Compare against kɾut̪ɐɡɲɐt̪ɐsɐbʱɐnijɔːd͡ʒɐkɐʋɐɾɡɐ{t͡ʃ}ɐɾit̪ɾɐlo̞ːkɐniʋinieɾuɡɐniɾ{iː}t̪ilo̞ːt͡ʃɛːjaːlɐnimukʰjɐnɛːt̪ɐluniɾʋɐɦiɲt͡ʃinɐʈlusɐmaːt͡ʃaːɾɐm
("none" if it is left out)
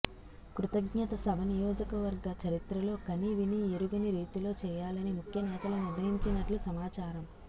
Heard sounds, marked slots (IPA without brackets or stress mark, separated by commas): t͡ʃ, iː